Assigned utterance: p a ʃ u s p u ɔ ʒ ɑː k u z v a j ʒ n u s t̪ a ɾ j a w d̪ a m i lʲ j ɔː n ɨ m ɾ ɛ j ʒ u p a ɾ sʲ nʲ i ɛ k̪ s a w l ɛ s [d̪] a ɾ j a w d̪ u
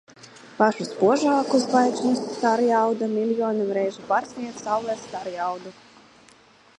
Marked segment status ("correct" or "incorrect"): incorrect